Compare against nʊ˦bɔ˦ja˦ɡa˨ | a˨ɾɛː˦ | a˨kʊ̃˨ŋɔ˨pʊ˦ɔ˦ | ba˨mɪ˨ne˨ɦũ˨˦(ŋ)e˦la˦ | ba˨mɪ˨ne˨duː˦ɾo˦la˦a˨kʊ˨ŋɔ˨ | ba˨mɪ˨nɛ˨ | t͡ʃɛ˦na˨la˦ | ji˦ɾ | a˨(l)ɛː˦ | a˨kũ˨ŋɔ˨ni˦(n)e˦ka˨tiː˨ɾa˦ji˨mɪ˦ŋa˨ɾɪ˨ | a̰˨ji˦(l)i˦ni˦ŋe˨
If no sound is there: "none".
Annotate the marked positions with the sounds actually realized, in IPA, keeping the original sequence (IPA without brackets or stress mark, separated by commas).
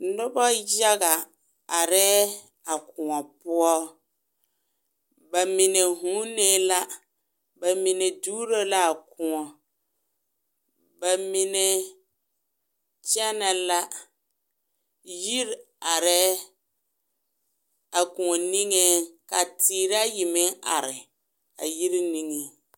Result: n, ɾ, ŋ, ɾ